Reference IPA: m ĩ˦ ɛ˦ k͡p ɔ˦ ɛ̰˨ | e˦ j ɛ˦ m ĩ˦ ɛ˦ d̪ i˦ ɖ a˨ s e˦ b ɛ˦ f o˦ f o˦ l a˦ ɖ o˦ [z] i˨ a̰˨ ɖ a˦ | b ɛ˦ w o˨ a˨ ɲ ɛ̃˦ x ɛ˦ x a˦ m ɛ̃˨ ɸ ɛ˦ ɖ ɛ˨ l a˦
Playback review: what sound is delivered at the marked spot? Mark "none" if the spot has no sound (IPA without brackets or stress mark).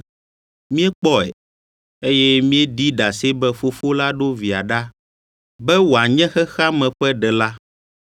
v